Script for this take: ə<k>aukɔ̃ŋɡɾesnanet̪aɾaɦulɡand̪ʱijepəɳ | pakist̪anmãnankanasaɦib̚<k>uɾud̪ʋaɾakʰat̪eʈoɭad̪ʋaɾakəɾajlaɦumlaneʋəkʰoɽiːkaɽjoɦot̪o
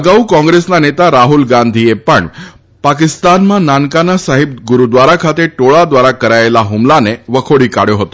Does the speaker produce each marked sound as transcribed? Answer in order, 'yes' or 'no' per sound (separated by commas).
no, no